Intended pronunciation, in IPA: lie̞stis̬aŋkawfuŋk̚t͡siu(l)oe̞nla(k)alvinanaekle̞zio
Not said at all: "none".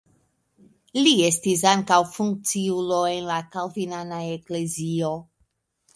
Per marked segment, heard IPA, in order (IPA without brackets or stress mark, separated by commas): l, k